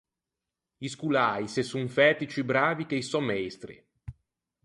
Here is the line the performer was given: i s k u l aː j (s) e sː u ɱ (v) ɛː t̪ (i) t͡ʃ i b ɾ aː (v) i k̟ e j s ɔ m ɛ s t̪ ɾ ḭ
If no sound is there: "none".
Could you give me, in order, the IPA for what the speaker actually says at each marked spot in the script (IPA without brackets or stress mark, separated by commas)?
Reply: s, f, i, v